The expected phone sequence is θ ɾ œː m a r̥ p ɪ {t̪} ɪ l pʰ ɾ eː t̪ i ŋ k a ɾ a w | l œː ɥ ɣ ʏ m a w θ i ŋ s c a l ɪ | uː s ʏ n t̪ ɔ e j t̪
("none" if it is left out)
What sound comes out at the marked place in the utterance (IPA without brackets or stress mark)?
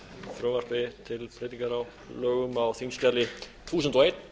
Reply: t̪ʰ